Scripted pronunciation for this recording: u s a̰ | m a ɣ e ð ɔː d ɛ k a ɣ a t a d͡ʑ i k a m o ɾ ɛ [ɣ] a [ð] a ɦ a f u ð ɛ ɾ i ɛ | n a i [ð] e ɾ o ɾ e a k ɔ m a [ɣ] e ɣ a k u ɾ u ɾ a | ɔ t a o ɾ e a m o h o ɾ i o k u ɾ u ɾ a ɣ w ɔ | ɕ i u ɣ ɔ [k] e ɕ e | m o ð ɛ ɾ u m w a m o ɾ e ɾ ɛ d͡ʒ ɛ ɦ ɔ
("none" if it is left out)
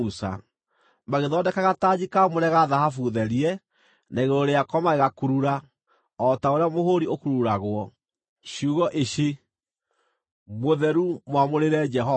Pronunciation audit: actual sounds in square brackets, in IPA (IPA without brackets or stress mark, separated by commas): ɣ, ð, ɣ, ɣ, ʔ